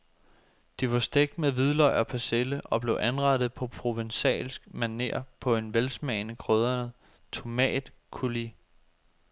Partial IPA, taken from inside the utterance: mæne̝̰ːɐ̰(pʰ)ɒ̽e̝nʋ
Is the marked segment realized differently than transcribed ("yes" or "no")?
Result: no